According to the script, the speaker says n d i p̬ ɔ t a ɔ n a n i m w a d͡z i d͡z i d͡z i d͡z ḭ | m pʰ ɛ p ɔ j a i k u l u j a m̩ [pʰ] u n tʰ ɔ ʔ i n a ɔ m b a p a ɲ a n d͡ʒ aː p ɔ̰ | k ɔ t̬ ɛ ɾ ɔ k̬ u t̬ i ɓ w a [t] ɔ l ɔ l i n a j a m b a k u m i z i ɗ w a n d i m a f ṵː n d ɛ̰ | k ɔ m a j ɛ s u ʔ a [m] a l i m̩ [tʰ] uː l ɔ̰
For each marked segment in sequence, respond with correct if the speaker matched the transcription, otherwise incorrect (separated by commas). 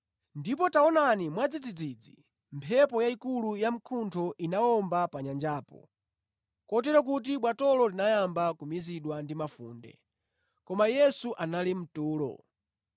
incorrect, correct, incorrect, incorrect